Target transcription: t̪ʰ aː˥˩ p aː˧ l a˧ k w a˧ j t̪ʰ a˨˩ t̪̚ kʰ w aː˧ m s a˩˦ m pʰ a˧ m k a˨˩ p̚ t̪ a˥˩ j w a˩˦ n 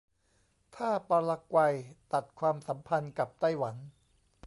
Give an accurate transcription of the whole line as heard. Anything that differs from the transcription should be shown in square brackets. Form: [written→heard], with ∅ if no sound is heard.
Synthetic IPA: t̪ʰ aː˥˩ p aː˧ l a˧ k w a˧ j [t̪ʰ→t̪] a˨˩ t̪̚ kʰ w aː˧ m s a˩˦ m pʰ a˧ [m→n] k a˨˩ p̚ t̪ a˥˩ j w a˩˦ n